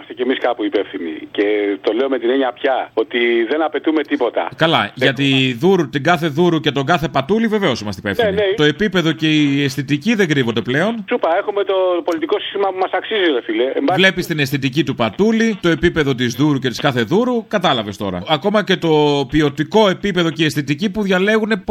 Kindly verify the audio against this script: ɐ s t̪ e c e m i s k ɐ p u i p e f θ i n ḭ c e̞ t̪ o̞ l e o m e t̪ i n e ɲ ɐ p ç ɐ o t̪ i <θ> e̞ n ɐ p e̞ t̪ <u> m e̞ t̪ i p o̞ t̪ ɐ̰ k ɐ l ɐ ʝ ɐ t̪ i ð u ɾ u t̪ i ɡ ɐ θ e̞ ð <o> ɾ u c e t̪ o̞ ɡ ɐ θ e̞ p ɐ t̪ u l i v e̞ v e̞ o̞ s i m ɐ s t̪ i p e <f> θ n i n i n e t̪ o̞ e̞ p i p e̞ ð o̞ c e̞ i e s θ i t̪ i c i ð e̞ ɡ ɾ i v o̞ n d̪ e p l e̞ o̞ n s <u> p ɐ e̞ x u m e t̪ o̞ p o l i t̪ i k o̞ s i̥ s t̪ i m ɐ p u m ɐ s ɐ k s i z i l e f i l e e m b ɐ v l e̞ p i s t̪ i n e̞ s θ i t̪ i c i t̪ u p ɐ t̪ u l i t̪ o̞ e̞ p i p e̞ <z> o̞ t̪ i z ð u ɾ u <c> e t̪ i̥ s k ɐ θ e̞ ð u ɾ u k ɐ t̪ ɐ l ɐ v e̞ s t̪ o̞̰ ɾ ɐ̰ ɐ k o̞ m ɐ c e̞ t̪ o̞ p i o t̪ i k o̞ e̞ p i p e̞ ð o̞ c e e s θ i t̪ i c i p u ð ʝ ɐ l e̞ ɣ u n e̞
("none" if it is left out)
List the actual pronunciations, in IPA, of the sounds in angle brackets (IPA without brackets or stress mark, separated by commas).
ð, u, u, f, u, ð, c